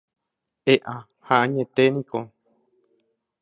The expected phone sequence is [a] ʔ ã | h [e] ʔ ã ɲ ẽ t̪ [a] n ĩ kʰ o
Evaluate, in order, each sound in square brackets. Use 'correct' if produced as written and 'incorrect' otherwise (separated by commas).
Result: incorrect, incorrect, incorrect